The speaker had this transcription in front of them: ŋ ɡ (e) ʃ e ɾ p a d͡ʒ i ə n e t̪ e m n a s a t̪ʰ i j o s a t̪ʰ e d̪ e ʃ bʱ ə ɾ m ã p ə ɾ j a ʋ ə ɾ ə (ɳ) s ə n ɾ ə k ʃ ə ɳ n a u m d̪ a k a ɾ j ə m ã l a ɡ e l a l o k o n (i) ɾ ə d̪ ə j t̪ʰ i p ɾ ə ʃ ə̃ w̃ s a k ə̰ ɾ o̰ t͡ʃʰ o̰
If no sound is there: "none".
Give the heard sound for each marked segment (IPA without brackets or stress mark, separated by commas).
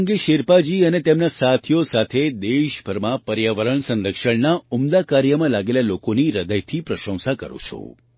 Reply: e, ɳ, i